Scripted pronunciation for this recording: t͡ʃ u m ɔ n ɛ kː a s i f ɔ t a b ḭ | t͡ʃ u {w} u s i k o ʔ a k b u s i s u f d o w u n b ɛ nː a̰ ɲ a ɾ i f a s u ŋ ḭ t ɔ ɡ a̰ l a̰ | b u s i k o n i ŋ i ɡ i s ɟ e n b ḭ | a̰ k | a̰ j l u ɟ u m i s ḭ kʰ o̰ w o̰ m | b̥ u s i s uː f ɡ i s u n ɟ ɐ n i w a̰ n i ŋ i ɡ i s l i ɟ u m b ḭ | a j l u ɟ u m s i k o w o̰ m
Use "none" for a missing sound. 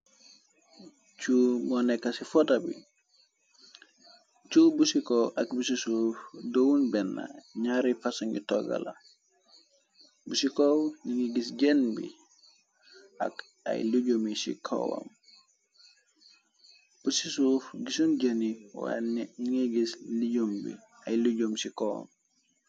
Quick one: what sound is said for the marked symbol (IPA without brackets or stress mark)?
b